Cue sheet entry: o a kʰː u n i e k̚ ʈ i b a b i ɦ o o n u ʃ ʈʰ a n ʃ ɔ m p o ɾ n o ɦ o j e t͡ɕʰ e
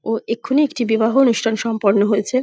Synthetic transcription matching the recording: o e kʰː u n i e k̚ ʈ i b i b a ɦ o o n u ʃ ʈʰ a n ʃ ɔ m p o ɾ n o ɦ o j e t͡ɕʰ e